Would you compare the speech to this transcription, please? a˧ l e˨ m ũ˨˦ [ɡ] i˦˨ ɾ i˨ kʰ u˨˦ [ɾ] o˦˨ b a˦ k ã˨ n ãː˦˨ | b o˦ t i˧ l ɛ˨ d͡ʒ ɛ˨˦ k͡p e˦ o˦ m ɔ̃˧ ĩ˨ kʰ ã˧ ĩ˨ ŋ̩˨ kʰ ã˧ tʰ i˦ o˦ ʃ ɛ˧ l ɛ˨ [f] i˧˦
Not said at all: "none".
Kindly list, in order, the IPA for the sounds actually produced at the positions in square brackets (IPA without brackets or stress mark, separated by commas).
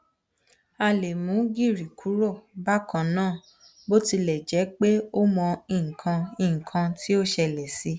ɡ, ɾ, s